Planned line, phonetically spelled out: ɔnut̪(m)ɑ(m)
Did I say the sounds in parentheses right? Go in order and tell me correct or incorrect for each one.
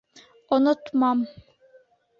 correct, correct

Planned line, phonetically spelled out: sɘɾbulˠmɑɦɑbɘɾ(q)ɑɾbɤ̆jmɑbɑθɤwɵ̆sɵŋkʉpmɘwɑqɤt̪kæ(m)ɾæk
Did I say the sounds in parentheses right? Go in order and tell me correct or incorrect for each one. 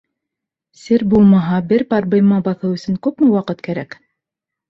incorrect, incorrect

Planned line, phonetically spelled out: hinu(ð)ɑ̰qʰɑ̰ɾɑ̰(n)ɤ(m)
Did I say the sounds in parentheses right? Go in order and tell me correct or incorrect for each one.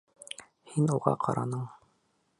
incorrect, correct, incorrect

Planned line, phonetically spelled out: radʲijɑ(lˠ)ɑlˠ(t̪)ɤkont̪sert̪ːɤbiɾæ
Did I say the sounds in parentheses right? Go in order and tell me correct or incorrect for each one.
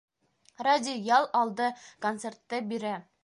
correct, incorrect

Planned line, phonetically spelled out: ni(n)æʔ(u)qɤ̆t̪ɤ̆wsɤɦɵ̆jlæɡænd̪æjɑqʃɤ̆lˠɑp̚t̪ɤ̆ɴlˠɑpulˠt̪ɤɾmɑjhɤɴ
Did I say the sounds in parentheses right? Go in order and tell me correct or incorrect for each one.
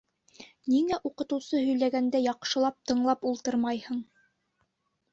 incorrect, correct

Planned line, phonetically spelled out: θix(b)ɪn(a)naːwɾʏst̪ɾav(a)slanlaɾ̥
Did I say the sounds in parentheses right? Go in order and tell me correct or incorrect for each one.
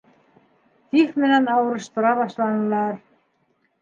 incorrect, correct, correct

